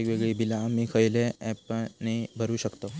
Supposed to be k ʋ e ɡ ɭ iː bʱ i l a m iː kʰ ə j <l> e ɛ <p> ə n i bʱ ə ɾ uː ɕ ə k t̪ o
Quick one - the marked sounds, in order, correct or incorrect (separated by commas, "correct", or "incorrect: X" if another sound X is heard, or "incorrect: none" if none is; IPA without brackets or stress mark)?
correct, correct